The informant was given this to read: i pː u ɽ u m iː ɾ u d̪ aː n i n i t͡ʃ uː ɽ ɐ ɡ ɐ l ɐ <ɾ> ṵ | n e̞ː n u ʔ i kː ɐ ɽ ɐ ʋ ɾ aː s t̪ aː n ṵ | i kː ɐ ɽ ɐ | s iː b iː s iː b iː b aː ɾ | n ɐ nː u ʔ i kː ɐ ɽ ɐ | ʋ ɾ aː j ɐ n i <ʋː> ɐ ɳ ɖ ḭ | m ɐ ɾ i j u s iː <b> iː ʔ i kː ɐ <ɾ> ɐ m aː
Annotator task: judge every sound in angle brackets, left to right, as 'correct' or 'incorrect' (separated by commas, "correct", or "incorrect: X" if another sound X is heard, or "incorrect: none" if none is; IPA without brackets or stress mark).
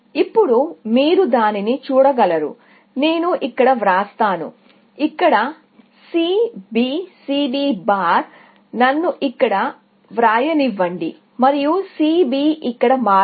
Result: correct, correct, correct, incorrect: ɽ